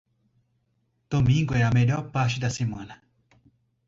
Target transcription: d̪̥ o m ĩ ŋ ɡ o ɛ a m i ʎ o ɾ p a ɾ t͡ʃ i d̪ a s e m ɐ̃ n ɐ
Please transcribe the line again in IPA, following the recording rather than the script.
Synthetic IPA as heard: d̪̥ o m ĩ ŋ ɡ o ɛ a m e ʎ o ɾ p a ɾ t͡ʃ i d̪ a s e m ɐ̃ n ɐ